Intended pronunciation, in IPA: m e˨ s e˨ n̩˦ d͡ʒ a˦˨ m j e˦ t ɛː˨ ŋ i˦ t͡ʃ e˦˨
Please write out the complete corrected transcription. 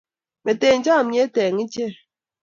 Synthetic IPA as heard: m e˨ t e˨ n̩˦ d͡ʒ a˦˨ m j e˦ t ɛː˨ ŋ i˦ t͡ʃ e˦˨